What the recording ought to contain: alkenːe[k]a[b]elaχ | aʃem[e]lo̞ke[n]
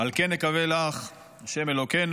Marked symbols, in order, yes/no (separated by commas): yes, no, yes, yes